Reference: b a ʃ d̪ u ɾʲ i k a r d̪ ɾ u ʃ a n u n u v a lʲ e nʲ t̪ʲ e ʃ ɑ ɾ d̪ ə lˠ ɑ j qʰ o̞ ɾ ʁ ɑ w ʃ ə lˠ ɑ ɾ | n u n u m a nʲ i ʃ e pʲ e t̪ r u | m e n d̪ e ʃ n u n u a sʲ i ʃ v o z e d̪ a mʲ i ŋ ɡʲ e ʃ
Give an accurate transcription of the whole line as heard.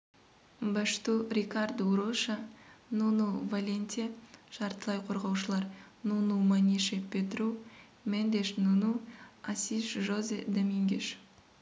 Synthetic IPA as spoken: b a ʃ t̪ u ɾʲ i k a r d̪ ɾ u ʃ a n u n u v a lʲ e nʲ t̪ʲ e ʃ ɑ ɾ t̪ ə lˠ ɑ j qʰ o̞ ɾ ʁ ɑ w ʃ ə lˠ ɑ ɾ | n u n u m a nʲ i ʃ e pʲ e t̪ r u | m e n d̪ e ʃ n u n u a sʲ i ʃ ʒ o z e d̪ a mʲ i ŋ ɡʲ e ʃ